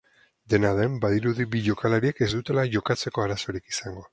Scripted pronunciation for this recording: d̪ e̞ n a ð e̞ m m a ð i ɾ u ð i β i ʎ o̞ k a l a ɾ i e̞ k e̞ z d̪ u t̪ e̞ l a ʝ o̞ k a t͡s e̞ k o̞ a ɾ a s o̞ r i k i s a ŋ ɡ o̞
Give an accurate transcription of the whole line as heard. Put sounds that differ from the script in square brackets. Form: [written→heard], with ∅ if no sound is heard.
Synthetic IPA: d̪ e̞ n a ð e̞ m [m→b] a ð i ɾ u ð i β i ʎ o̞ k a l a ɾ i e̞ k e̞ z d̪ u t̪ e̞ l a ʝ o̞ k a t͡s e̞ k o̞ a ɾ a s o̞ [r→ɾ] i k i s a ŋ ɡ o̞